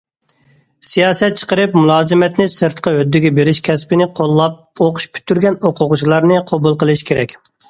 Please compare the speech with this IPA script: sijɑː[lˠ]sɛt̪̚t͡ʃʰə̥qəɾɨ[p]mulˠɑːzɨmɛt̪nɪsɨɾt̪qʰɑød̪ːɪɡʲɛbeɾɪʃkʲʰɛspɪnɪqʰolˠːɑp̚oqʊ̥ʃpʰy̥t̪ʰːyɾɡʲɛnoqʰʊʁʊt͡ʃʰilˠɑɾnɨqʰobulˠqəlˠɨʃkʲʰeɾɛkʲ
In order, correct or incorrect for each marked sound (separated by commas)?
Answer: incorrect, correct